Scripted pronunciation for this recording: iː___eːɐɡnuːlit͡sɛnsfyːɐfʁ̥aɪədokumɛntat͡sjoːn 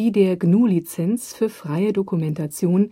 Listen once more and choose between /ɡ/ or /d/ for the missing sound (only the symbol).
d